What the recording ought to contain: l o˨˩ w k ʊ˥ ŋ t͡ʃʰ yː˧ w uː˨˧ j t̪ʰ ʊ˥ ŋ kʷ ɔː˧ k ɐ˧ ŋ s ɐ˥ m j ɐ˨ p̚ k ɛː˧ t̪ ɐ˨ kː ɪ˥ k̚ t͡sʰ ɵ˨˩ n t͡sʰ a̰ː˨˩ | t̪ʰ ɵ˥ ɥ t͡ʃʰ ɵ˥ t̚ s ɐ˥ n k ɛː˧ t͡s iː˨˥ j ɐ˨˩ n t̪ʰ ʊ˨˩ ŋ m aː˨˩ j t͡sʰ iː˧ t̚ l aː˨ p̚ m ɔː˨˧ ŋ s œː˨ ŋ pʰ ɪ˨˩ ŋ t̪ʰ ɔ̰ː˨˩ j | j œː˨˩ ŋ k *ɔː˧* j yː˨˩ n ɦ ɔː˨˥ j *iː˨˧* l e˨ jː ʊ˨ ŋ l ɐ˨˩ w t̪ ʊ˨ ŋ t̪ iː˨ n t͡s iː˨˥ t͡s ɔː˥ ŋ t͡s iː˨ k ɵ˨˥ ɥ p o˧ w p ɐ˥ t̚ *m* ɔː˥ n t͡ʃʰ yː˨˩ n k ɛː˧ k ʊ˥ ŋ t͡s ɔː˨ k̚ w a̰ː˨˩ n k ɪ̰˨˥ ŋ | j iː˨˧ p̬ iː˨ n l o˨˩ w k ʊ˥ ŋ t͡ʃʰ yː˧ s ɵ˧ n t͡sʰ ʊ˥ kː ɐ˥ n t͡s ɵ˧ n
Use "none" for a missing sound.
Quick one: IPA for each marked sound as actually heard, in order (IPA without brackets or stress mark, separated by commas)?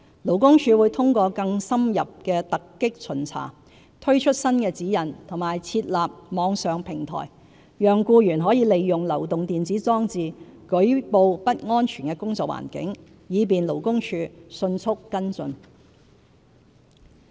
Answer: uː˧, iː˨˧, ŋ